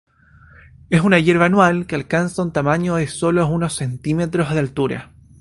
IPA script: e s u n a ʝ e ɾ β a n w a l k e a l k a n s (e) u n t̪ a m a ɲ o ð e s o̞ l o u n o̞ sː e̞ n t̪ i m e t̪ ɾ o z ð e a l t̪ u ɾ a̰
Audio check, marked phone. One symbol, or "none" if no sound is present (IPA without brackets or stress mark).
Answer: a